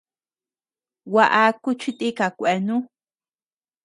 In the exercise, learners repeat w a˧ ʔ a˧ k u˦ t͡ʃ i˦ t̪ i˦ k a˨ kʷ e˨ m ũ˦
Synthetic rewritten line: w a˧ ʔ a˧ k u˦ t͡ʃ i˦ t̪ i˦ k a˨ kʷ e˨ n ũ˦